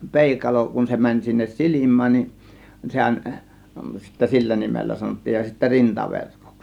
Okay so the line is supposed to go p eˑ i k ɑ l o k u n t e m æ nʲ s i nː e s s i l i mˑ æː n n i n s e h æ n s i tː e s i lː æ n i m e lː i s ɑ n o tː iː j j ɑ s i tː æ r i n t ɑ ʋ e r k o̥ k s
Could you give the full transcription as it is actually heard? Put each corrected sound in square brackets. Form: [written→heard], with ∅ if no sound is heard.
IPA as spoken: p eˑ i k ɑ l o k u n [t→s] e m æ nʲ s i nː e s s i l i mˑ æː n n i n s e h æ n s i tː [e→æ] s i lː æ n i m e lː [i→æ] s ɑ n o tː iː j j ɑ s i tː æ r i n t ɑ ʋ e r k o̥ k s